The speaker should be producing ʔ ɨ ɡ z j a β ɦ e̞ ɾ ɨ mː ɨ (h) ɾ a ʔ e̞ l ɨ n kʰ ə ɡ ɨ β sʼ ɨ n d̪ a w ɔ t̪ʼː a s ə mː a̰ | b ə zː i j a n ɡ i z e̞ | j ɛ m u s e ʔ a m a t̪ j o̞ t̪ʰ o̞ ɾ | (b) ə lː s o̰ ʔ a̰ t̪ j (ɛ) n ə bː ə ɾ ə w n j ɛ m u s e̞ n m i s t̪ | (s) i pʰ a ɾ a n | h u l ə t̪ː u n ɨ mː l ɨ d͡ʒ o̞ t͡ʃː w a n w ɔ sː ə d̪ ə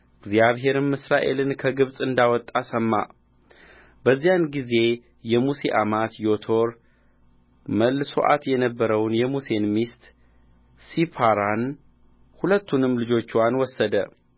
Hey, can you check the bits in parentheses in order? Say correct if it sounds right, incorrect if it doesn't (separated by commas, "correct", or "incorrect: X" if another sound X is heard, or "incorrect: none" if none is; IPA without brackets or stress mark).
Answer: incorrect: s, incorrect: m, correct, correct